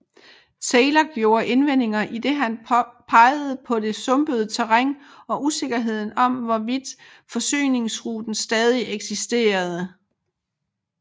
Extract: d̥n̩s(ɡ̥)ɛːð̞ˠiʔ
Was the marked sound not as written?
yes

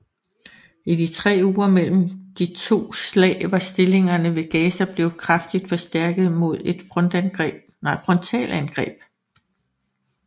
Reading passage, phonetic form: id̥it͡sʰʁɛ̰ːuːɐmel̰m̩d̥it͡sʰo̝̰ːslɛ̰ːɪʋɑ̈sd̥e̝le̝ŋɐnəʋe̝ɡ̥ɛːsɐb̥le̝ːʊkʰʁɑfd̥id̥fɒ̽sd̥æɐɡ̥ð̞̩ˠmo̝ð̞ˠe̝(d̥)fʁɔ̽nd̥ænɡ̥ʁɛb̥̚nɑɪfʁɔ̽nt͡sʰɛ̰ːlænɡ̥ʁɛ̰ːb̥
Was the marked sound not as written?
no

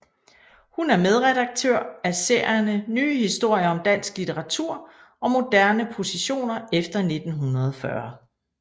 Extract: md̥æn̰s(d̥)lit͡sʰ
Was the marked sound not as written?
yes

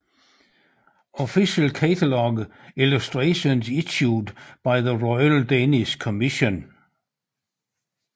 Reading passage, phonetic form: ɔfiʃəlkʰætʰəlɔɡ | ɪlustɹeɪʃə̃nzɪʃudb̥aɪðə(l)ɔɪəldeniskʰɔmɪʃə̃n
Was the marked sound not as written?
yes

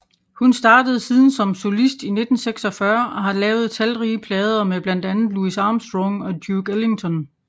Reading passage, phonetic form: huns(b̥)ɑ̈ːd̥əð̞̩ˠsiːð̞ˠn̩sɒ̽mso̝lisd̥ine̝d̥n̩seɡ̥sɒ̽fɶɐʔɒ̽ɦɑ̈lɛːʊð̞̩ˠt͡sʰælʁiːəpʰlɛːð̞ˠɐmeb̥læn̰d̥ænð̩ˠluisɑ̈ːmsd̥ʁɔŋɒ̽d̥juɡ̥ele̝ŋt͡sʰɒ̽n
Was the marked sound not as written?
yes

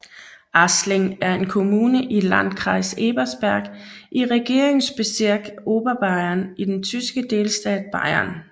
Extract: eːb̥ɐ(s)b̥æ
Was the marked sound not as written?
no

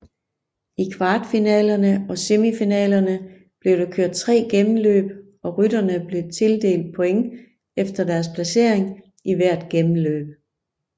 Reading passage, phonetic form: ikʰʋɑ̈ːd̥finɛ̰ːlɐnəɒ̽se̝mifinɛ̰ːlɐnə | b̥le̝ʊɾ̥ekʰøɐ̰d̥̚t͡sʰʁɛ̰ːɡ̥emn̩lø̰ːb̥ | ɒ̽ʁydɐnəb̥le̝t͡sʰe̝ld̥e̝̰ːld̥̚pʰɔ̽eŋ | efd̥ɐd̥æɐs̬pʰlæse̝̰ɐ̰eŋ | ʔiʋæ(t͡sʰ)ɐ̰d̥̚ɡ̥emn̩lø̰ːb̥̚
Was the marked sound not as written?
yes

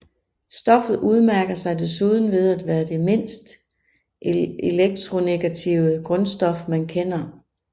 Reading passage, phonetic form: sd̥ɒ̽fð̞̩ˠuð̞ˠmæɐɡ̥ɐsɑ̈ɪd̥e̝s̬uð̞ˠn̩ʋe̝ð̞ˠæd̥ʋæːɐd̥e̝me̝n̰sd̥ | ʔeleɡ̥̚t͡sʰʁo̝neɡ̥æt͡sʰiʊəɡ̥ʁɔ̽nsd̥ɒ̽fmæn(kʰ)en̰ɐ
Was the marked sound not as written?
no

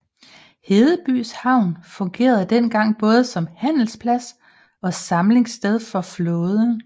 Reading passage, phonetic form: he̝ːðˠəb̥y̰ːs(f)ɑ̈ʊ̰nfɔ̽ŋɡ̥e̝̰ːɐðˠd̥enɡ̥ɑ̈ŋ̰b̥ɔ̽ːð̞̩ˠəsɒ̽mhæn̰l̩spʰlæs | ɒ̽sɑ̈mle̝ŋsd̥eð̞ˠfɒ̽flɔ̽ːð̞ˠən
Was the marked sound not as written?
yes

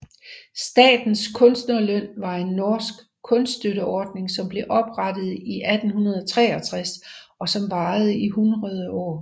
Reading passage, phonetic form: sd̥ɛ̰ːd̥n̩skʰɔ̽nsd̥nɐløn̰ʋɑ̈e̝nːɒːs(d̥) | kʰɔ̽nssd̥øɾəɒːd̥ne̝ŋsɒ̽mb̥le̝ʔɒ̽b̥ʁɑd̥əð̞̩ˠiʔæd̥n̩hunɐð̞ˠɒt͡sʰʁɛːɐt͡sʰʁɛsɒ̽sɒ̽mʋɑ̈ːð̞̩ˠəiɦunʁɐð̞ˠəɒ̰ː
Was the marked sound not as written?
yes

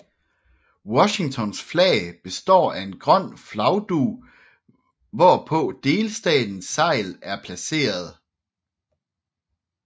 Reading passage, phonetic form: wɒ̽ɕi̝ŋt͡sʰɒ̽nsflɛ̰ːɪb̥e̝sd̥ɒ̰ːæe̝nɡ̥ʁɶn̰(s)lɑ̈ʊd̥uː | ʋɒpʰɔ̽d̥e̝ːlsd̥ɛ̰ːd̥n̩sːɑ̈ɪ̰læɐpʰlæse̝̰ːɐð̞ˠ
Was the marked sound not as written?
yes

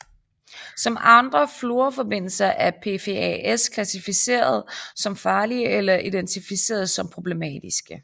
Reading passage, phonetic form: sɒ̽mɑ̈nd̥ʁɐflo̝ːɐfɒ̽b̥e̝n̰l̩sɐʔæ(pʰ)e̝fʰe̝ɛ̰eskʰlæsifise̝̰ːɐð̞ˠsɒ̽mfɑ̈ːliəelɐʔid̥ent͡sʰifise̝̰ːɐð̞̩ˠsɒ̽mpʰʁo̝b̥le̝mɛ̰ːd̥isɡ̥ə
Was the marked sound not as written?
no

